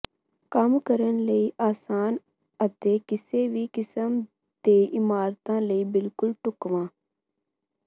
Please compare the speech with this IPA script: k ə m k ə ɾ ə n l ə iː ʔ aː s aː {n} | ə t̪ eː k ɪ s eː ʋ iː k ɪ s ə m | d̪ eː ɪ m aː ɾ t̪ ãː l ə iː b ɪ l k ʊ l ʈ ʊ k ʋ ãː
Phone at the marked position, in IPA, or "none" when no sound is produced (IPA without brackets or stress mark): n